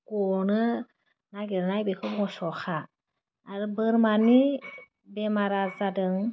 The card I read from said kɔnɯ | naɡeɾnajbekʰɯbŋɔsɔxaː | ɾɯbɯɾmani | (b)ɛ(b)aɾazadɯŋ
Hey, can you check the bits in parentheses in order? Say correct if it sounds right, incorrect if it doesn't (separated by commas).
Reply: correct, incorrect